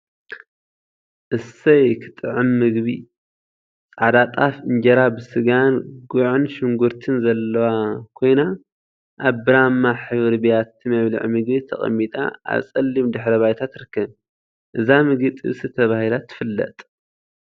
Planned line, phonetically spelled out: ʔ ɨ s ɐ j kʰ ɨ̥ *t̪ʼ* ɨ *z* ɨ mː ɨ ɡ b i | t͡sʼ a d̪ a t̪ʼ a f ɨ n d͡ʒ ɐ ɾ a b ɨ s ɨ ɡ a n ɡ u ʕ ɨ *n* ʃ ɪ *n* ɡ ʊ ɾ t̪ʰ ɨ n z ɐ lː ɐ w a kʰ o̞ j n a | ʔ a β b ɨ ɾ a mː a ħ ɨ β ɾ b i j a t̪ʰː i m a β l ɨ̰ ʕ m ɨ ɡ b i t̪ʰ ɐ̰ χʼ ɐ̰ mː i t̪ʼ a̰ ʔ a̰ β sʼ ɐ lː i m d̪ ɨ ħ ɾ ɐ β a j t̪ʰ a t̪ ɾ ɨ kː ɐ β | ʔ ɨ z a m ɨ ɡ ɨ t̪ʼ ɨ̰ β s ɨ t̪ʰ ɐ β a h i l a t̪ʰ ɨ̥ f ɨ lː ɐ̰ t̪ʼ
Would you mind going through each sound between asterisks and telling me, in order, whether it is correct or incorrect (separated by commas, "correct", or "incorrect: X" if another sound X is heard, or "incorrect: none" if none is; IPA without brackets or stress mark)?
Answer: correct, incorrect: ʕ, correct, incorrect: ŋ